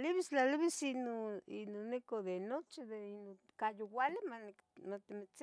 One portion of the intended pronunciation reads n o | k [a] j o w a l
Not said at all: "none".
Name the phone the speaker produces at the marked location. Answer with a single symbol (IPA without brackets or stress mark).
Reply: a